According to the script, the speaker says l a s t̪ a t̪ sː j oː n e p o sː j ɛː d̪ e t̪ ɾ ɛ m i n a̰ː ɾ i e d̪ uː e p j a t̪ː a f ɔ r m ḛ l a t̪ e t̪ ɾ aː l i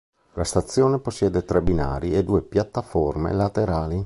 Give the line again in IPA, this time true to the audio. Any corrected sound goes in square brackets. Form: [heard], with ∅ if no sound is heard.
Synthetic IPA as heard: l a s t̪ a t̪ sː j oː n e p o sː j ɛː d̪ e t̪ ɾ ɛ [b] i n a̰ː ɾ i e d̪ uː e p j a t̪ː a f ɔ r m ḛ l a t̪ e [∅] ɾ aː l i